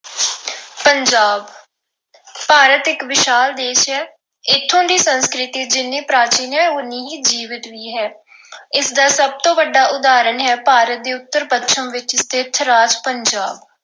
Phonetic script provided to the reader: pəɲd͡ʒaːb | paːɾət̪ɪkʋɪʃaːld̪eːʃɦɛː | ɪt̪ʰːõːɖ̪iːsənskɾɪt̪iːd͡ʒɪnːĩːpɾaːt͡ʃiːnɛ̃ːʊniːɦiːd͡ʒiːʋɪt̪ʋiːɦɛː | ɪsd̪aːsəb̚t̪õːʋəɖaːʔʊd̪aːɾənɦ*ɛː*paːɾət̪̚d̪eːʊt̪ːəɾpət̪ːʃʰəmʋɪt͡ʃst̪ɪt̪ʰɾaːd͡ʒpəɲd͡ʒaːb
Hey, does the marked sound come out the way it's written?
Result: yes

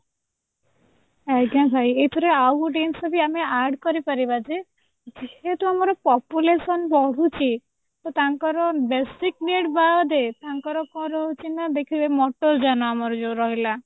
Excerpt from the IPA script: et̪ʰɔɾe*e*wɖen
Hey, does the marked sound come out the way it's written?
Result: no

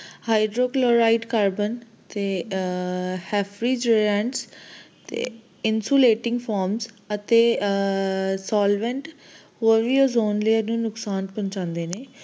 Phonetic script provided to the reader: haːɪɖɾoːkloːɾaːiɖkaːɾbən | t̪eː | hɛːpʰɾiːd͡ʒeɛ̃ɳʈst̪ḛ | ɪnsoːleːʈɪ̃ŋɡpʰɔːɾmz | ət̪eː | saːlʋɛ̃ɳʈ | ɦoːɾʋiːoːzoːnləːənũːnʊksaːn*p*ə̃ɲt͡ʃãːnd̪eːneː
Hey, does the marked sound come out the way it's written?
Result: yes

